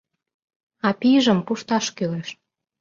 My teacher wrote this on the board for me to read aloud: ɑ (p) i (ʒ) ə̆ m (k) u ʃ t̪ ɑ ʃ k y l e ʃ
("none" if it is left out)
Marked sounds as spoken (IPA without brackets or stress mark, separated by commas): p, ʒ, p